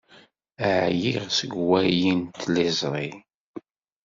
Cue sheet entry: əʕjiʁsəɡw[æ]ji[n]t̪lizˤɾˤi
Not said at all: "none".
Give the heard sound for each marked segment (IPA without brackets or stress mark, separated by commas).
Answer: æ, n